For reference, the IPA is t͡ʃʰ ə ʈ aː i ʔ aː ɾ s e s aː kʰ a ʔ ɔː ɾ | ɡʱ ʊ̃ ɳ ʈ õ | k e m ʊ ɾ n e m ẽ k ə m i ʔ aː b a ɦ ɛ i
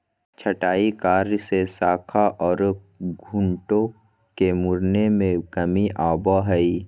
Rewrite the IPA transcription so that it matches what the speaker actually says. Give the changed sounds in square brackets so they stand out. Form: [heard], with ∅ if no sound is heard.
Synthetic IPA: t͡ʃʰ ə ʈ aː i [k] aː ɾ s e s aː kʰ a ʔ ɔː ɾ | ɡʱ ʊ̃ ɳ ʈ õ | k e m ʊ ɾ n e m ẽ k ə m i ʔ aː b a ɦ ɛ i